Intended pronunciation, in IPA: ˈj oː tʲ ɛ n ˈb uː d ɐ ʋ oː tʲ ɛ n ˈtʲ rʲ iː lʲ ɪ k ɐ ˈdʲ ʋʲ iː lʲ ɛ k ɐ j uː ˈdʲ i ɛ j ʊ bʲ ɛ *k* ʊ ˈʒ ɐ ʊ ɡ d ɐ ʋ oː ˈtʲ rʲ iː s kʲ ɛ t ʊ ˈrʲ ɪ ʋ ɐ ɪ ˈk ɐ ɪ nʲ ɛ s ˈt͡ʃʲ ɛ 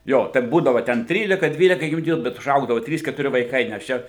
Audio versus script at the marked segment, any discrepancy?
yes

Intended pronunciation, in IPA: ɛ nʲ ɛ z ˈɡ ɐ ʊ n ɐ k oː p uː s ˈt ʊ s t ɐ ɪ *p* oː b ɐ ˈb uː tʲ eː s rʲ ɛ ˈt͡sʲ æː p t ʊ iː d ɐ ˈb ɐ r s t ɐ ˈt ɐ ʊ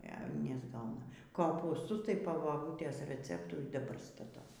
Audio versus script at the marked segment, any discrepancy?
no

